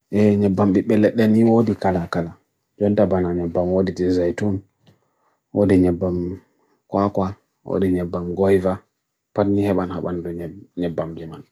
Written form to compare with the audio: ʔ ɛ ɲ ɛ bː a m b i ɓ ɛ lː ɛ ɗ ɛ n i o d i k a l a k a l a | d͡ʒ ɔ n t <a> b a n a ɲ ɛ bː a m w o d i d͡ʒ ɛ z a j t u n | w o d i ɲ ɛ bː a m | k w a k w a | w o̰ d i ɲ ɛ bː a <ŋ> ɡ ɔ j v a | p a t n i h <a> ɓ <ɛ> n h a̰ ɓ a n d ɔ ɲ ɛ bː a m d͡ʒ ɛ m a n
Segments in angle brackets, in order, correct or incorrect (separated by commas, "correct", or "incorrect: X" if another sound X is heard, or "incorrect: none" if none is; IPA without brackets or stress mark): correct, incorrect: m, incorrect: ɛ, incorrect: a